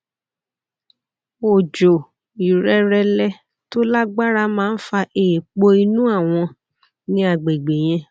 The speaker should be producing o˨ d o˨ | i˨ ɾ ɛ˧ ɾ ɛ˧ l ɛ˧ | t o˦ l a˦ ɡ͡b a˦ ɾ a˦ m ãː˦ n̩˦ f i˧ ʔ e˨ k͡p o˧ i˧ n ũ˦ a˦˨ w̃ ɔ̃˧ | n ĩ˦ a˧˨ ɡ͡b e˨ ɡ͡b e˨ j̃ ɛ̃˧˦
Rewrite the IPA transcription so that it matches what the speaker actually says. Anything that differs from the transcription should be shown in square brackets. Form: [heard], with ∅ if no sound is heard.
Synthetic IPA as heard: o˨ [d͡ʒ] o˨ | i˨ ɾ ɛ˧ ɾ ɛ˧ l ɛ˧ | t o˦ l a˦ ɡ͡b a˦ ɾ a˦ m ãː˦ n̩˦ f [a˧] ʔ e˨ k͡p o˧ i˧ n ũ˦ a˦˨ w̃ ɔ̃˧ | n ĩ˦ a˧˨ ɡ͡b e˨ ɡ͡b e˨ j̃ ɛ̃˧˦